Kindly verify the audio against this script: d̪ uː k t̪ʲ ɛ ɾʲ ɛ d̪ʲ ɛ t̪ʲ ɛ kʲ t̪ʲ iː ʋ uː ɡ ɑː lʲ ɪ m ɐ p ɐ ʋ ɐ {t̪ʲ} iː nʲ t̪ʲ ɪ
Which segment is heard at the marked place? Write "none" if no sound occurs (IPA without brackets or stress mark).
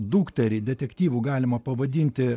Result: d̪ʲ